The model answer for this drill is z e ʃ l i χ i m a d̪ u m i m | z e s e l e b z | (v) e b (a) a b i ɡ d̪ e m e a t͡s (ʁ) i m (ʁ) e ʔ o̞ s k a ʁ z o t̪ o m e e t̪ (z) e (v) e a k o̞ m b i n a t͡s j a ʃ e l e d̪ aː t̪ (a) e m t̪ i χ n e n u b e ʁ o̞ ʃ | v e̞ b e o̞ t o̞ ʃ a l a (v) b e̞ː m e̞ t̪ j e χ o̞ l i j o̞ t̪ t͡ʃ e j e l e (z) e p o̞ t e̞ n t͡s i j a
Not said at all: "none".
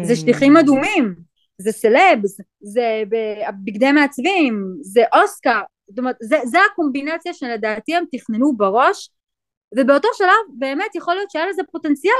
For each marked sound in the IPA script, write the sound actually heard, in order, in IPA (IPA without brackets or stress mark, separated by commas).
z, e, v, z, z, z, i, v, z